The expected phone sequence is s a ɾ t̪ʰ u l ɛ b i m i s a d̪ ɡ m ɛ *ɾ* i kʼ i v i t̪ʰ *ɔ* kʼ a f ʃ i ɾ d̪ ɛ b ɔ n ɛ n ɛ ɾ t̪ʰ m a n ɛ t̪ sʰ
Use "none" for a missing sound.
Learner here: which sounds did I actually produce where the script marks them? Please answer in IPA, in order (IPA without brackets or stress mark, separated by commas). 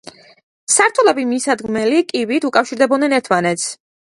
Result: l, u